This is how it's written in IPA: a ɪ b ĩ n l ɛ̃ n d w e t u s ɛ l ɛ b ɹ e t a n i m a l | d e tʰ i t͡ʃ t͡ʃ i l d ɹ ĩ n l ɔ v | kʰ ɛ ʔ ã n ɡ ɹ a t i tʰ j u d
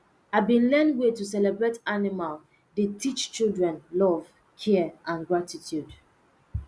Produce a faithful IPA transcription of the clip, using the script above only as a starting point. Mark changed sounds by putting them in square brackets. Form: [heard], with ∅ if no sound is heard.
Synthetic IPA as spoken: a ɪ b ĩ n l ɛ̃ n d w e t u s ɛ l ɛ b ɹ e t a n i m a l | d e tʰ i t͡ʃ t͡ʃ i l d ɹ [ɛ̃] n l ɔ v | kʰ ɛ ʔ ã n ɡ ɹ a t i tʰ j u d